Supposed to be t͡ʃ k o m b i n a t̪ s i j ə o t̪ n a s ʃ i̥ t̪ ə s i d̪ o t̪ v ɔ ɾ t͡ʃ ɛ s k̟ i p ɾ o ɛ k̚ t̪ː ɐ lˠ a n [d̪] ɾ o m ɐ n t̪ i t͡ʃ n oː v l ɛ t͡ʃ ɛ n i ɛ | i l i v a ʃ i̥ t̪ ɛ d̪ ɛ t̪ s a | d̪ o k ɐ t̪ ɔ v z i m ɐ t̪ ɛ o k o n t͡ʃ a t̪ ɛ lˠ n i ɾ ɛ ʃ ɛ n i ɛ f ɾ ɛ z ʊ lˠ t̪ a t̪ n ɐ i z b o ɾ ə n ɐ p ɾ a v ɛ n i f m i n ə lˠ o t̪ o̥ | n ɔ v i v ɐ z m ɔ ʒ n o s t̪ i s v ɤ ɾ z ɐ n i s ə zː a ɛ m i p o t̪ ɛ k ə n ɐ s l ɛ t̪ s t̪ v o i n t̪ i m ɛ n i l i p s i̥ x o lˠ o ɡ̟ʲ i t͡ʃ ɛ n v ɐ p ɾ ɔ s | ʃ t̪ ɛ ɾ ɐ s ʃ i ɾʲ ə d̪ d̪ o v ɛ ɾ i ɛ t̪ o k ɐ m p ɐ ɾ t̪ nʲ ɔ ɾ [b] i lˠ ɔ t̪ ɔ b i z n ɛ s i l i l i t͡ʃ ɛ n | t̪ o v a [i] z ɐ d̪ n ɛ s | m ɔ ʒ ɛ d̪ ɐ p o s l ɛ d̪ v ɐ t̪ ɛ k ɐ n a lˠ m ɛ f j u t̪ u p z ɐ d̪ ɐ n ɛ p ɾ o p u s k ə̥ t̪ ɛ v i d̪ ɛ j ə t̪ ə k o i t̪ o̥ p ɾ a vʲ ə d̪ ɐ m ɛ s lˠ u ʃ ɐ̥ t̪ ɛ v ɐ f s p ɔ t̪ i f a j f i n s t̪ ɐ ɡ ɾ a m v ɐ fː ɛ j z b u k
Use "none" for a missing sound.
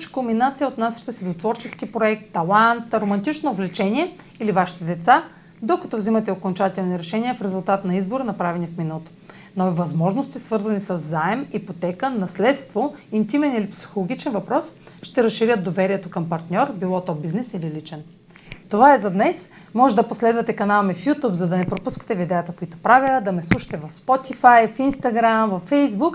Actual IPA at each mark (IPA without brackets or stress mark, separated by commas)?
t̪, b, ɛ